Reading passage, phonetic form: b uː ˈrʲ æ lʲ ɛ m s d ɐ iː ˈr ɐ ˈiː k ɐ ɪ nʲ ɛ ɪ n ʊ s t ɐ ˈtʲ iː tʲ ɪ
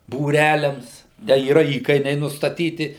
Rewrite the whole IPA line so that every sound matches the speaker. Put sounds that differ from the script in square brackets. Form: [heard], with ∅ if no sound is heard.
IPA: b uː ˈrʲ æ lʲ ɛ m s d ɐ iː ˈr ɐ ˈiː k ɐ ɪ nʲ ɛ ɪ n ʊ s t ɐ ˈtʲ iː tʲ ɪ